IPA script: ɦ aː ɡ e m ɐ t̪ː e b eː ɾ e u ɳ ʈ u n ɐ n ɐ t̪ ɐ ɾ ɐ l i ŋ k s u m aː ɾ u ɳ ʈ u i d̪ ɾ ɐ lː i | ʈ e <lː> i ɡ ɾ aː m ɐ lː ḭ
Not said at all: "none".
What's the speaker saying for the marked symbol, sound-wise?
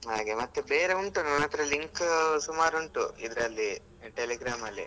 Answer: l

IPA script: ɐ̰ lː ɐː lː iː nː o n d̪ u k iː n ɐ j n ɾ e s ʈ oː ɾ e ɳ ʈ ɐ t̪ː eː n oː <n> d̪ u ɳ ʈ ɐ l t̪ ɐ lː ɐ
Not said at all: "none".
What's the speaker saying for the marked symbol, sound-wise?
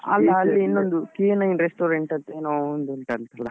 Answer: n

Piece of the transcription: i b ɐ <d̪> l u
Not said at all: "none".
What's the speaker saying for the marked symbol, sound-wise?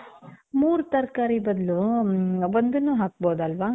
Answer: d̪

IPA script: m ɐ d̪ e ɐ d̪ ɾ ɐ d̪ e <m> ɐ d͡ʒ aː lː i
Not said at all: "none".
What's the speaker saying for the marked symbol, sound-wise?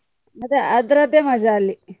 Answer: m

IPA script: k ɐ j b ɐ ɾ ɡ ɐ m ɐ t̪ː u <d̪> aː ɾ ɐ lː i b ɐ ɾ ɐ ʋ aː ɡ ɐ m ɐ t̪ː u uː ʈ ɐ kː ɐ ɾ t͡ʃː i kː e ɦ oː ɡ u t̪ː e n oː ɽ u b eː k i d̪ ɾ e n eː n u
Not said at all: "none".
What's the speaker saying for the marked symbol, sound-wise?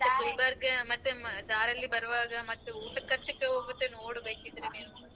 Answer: d̪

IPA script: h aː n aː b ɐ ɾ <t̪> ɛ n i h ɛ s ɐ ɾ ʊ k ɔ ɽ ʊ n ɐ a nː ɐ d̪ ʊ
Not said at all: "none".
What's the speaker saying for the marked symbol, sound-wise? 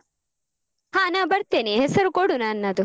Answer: t̪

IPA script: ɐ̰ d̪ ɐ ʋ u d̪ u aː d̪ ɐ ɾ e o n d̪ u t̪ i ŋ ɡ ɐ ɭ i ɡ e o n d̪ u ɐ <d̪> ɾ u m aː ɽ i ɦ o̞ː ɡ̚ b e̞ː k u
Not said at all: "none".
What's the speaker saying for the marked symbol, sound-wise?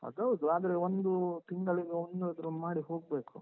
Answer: d̪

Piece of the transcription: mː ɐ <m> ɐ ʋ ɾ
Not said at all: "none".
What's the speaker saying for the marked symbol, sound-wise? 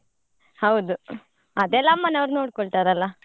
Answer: n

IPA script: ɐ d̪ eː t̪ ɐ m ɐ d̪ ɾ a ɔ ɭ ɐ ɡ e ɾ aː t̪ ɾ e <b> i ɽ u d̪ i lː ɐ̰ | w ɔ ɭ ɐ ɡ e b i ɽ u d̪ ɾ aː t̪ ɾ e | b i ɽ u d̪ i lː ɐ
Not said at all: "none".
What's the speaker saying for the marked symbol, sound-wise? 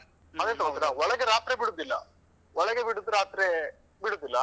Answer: b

